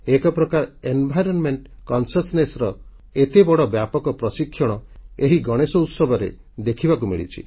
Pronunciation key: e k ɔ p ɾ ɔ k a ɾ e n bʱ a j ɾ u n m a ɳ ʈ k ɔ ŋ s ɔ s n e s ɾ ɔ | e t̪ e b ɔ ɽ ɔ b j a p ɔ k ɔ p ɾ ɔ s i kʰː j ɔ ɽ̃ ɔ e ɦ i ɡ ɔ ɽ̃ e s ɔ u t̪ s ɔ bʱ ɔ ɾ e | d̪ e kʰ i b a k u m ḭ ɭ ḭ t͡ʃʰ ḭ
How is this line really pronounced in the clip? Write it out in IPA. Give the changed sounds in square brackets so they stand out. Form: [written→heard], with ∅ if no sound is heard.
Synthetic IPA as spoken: e k ɔ p ɾ ɔ k a ɾ e n bʱ a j ɾ [u→ɔ] n m [a→e] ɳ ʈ k ɔ [ŋ→n] s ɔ s n e s ɾ ɔ | e t̪ e b ɔ ɽ ɔ b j a p ɔ k ɔ p ɾ ɔ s i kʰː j ɔ ɽ̃ ɔ e ɦ i ɡ ɔ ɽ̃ e s ɔ u t̪ s ɔ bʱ ɔ ɾ e | d̪ e kʰ i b a k u m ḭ ɭ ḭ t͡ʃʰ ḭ